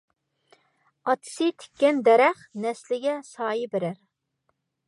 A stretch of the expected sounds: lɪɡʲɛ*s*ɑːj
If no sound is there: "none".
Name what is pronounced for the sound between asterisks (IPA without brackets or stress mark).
s